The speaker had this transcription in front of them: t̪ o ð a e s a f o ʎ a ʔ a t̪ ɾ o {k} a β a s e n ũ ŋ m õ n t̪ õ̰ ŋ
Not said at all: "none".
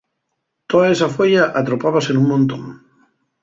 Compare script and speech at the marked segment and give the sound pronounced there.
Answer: p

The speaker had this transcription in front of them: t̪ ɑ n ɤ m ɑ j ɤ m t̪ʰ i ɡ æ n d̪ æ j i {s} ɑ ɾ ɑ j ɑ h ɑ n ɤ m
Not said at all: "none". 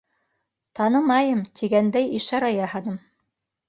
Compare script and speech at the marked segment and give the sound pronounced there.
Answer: ʃ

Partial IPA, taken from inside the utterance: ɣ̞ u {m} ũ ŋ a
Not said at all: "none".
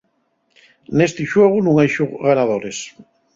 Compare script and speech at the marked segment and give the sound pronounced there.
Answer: n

